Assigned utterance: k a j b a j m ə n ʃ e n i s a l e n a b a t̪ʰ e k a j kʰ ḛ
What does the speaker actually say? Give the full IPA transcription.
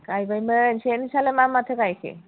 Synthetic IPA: k a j b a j m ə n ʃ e n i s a l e m a m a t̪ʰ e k a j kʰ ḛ